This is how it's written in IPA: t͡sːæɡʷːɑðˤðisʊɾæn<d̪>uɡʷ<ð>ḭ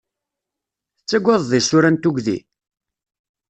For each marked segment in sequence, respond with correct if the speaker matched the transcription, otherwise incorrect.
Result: incorrect: t̪, correct

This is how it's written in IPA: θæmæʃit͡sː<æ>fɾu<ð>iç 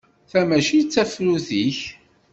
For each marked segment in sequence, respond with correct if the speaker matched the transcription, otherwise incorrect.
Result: correct, incorrect: θ

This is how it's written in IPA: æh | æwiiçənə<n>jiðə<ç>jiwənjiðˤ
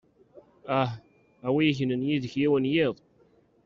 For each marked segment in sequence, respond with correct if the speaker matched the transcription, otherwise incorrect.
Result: correct, correct

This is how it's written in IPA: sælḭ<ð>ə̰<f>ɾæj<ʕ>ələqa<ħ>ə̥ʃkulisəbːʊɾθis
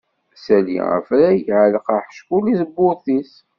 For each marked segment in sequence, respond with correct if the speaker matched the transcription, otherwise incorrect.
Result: incorrect: ʁ, correct, correct, correct

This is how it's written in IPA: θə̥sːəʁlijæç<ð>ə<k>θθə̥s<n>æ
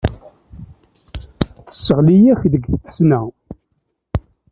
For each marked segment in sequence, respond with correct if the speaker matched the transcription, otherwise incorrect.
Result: correct, incorrect: ɡ, correct

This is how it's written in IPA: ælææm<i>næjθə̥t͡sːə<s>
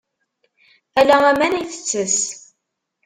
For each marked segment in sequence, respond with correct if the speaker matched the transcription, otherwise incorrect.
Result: incorrect: æ, correct

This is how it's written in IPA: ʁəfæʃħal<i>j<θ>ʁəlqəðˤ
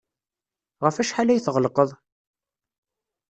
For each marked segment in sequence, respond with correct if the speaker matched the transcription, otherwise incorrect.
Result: incorrect: æ, correct

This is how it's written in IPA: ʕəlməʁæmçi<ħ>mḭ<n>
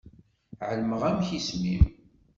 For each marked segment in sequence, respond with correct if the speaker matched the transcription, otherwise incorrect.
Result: incorrect: s, incorrect: m

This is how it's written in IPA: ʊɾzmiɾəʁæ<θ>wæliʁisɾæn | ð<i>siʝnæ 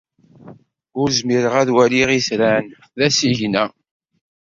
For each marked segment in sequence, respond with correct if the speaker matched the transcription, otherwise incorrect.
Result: incorrect: ð, incorrect: æ

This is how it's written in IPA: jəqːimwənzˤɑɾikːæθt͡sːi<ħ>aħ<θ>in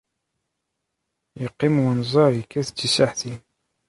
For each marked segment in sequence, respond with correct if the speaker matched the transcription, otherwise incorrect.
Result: incorrect: s, correct

